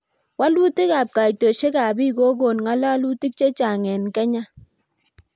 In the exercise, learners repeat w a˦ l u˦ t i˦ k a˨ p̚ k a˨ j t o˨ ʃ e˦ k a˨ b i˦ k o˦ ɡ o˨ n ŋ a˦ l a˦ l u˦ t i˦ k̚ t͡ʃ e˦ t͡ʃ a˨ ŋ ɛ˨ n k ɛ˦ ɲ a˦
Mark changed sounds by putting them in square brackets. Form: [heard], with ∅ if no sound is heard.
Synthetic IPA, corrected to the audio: w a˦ l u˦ t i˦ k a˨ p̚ k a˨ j t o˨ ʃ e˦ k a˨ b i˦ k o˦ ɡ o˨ n ŋ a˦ l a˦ l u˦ t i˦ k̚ t͡ʃ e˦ t͡ʃ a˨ ŋ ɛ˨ n k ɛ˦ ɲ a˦